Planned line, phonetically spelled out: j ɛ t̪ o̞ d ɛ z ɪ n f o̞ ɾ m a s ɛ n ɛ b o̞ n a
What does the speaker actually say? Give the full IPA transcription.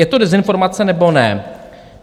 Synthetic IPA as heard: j ɛ t̪ o̞ d ɛ z ɪ n f o̞ ɾ m a t͡s ɛ n ɛ b o̞ n ɛ